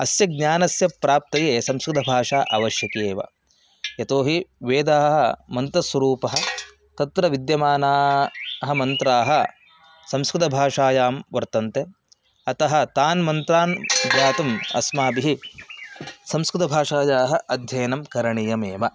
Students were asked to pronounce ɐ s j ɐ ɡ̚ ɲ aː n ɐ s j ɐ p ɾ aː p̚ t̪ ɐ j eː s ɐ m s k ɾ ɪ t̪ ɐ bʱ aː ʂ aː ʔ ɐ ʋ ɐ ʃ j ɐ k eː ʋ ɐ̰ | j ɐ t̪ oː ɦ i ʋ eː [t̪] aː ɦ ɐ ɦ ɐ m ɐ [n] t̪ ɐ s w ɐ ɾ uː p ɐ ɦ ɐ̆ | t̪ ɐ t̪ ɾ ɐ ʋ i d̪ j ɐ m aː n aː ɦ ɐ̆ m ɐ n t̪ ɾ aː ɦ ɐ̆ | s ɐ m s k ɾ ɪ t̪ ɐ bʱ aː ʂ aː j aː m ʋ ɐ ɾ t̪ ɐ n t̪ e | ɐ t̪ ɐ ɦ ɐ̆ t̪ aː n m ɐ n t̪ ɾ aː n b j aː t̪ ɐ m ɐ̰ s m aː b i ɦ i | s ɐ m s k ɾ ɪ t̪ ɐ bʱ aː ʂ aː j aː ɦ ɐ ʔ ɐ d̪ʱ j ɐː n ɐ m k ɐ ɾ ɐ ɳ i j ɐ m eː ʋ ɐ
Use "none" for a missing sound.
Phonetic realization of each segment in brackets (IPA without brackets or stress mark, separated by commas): d̪, n